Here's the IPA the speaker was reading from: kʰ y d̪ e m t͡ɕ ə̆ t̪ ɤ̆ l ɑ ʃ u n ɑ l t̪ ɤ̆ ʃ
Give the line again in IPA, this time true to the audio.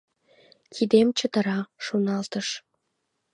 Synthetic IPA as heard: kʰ i d̪ e m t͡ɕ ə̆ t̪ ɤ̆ ɾ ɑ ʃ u n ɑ l t̪ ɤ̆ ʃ

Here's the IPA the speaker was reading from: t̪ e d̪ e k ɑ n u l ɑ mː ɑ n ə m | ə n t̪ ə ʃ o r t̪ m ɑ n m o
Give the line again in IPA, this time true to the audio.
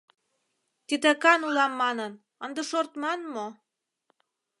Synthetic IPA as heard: t̪ i d̪ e k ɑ n u l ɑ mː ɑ n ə n | ə n d̪ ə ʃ o r t̪ m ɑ n m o

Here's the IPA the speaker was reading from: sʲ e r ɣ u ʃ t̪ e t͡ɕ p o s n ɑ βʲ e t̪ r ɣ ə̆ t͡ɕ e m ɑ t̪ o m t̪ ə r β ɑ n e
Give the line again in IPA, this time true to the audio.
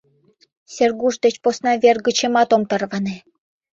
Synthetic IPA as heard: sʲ e r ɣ u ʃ d̪ e t͡ɕ p o s n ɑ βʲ e r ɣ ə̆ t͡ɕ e m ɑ t̪ o m t̪ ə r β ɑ n e

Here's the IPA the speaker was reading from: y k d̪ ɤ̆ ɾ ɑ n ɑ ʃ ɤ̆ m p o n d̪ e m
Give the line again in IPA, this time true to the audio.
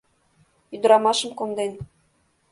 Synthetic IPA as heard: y d̪ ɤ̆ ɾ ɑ m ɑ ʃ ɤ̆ m k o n d̪ e n

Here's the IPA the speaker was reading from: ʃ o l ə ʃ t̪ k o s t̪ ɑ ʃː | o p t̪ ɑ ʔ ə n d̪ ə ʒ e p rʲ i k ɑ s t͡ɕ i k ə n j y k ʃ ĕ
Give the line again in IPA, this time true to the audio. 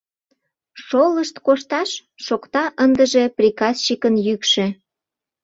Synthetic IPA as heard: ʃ o l ə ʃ t̪ k o ʃ t̪ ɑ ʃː | o k t̪ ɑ ʔ ə n d̪ ə ʒ e p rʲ i k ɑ s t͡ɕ i k ə n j y k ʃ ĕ

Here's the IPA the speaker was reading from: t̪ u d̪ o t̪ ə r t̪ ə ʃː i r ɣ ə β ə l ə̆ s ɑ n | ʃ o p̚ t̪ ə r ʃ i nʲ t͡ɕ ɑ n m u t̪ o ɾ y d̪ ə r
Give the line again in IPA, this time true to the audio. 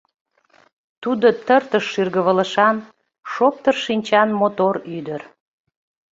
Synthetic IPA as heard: t̪ u d̪ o t̪ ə r t̪ ə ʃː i r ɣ ə β ə l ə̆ ʃ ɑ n | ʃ o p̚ t̪ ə r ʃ i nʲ t͡ɕ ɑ n m o t̪ o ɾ y d̪ ə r

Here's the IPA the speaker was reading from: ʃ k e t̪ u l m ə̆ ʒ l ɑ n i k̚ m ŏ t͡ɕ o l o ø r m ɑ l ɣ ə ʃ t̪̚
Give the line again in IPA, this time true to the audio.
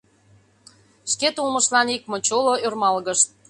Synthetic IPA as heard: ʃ k e t̪ u l m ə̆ ʃ l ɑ n i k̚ m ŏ t͡ɕ o l o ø r m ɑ l ɣ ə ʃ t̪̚

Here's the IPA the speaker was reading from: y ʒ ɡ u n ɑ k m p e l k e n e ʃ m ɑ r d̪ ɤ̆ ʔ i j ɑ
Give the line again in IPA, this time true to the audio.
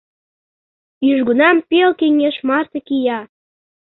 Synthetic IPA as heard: y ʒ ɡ u n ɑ m p e l k e ŋ e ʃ m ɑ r t̪ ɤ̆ k i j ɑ

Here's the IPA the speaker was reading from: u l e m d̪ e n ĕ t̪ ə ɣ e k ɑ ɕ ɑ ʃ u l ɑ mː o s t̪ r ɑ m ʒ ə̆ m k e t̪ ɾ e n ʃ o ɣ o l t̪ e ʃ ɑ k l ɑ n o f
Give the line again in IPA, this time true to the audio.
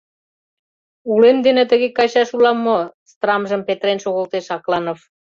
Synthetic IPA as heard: u l e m d̪ e n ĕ t̪ ə ɣ e k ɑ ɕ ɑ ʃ u l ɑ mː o s t̪ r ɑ m ʒ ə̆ m p e t̪ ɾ e n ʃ o ɣ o l t̪ e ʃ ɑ k l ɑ n o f

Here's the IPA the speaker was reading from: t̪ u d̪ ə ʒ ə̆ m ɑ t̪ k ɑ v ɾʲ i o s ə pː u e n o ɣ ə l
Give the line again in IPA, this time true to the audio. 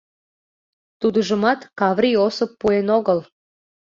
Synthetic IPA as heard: t̪ u d̪ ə ʒ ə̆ m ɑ t̪ k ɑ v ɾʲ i o s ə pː u e n o ɣ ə l

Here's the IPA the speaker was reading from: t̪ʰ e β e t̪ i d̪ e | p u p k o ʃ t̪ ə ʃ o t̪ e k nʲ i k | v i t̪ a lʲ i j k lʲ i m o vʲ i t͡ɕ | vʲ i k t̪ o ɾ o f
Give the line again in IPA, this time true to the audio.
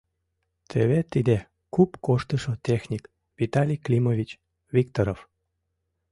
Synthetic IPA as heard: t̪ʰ e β e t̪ i d̪ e | k u p k o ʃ t̪ ə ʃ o t̪ e x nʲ i k | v i t̪ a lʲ i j k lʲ i m o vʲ i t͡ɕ | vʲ i k t̪ o ɾ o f

